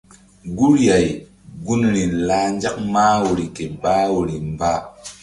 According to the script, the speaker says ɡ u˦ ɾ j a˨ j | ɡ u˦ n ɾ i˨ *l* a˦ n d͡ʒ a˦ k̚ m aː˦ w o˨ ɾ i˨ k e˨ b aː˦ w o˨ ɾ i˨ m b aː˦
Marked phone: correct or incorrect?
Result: correct